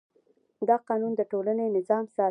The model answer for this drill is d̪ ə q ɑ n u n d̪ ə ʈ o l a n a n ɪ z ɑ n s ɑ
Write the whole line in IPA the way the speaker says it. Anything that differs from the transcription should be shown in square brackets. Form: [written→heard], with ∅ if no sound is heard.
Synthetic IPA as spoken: d̪ [ə→ɑ] q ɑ n u n d̪ ə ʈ o l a n [a→e] n ɪ z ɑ [n→m] s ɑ